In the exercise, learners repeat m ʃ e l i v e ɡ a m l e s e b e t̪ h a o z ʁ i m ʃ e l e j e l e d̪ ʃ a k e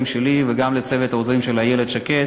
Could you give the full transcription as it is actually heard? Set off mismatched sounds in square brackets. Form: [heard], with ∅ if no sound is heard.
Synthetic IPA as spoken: m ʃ e l i v e ɡ a m l e [t͡s] e [v] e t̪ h a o z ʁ i m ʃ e l [a] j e l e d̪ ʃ a k e